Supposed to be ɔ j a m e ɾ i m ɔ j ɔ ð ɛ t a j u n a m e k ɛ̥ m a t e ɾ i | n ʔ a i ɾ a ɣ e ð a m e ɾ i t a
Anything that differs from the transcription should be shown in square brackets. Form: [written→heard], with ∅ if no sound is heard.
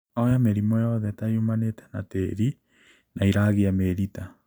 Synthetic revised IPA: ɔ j a m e ɾ i m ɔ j ɔ ð ɛ t a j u [n→m] a [m→n] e [k→t] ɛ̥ [m→n] a t e ɾ i | n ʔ a i ɾ a ɣ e [ð→∅] a m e ɾ i t a